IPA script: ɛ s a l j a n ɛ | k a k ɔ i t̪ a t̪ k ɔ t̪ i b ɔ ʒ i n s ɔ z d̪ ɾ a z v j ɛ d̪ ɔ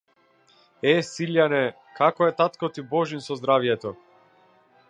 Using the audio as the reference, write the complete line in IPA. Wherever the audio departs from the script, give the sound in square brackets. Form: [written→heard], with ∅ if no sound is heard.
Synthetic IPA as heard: ɛ s [a→i] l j a n ɛ | k a k ɔ [i→ɛ] t̪ a t̪ k ɔ t̪ i b ɔ ʒ i n s ɔ z d̪ ɾ a [z→∅] v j ɛ [d̪→t̪] ɔ